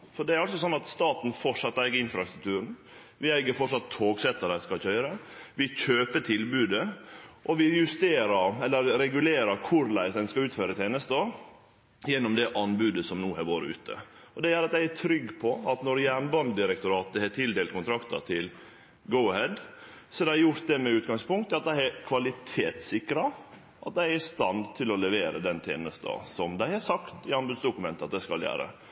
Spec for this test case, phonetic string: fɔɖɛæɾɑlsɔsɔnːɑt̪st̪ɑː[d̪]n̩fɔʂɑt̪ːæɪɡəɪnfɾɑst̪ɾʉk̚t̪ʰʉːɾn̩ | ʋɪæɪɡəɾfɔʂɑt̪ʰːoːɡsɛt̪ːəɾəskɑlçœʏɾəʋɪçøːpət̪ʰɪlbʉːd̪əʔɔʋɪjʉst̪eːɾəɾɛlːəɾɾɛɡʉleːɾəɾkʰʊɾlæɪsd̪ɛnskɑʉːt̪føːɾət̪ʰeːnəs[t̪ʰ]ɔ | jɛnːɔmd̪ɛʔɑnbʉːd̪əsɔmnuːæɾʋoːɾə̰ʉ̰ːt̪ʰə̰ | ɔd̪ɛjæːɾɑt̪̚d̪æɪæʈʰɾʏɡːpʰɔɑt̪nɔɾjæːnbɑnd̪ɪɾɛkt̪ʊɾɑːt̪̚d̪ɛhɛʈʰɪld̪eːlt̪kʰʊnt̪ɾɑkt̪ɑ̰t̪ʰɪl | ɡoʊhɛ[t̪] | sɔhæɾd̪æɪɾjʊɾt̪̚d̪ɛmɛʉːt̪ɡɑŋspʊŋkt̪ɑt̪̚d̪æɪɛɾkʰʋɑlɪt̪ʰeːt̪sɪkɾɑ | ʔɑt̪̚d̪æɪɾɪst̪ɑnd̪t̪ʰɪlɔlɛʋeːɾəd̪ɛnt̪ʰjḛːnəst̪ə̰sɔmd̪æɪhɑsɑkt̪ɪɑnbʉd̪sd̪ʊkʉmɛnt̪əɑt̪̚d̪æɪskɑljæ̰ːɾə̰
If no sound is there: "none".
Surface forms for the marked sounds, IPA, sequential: t̪, t̪, d̪

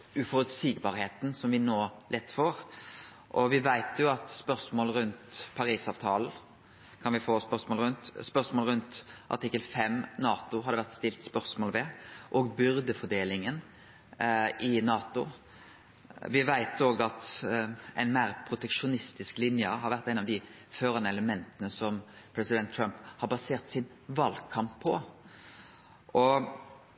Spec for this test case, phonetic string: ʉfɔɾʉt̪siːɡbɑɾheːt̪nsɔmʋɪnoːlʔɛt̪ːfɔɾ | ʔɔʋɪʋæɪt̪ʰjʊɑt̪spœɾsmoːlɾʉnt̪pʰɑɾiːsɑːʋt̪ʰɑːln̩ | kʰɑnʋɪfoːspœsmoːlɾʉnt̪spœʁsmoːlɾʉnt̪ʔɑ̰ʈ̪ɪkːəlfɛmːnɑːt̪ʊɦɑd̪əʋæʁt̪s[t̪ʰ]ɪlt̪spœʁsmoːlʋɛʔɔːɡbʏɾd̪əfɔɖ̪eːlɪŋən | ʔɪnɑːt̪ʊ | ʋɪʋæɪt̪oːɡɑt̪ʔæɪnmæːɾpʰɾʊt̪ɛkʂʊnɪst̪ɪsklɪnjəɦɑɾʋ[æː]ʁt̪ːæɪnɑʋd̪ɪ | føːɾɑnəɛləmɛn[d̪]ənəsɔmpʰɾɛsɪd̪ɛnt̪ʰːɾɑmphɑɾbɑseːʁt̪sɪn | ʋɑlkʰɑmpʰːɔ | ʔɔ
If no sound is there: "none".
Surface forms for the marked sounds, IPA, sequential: t̪, æ, t̪

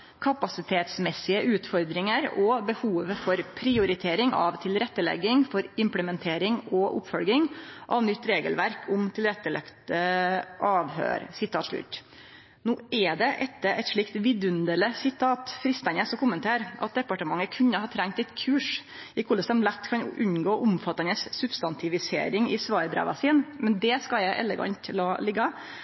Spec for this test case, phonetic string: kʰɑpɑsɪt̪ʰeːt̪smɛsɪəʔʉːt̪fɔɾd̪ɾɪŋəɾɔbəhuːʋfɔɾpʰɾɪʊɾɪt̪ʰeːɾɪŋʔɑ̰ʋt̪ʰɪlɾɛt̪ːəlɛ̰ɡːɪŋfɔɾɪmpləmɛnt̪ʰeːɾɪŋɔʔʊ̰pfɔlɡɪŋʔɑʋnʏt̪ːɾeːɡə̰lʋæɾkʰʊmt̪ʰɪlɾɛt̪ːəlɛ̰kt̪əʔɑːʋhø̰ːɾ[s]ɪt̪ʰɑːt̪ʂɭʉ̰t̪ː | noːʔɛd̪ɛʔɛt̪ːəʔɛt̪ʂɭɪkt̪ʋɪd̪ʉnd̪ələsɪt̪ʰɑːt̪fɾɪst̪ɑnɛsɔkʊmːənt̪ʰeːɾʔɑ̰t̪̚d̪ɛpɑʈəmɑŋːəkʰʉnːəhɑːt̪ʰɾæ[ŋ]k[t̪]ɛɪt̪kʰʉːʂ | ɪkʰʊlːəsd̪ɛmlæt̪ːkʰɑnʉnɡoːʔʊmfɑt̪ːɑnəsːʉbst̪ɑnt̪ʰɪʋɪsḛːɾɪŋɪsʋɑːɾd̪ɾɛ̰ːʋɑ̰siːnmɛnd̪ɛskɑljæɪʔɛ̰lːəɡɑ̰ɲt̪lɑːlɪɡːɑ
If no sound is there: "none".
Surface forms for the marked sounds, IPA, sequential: s, ŋ, t̪

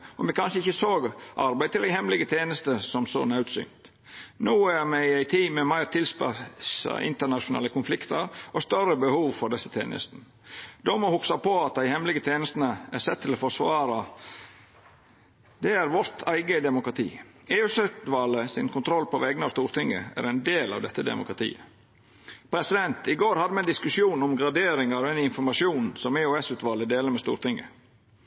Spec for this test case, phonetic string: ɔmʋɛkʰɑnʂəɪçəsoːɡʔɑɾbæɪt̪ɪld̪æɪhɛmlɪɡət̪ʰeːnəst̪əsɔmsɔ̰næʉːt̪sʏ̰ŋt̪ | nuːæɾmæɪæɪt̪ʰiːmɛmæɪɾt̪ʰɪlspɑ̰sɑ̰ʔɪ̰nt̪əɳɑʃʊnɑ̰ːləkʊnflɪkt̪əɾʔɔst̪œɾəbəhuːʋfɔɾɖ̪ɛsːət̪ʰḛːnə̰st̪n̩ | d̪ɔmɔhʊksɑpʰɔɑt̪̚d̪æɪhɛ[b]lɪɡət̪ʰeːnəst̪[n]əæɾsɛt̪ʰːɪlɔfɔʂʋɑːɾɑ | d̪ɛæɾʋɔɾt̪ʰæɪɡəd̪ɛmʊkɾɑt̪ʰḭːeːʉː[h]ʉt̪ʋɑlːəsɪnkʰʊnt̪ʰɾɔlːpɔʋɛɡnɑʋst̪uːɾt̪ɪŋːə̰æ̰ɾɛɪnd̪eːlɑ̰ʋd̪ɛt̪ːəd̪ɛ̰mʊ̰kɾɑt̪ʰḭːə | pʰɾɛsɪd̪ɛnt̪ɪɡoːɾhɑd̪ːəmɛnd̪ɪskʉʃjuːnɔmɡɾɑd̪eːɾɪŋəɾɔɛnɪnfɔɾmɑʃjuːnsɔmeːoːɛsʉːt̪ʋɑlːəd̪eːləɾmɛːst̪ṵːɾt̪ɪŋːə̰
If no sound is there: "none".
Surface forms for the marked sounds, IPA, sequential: m, n, s

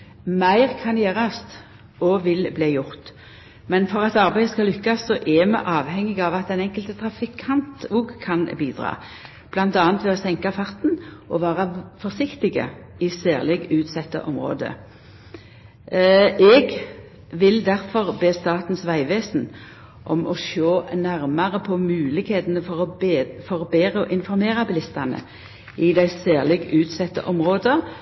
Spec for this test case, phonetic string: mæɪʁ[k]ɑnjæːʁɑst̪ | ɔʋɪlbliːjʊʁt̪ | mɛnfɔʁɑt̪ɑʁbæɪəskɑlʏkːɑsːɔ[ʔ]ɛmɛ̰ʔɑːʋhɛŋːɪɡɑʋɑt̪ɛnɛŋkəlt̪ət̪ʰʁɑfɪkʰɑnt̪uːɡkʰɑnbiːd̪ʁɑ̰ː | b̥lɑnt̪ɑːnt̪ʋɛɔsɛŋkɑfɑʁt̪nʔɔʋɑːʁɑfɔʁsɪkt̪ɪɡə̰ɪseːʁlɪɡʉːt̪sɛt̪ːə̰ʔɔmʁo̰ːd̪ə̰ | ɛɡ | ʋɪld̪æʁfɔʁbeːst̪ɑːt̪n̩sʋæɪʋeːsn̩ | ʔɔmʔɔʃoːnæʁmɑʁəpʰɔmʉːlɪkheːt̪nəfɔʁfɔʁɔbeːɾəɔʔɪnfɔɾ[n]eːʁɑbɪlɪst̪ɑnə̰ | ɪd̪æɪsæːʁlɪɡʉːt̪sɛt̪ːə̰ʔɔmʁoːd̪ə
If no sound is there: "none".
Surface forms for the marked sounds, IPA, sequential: kʰ, ʔ, m

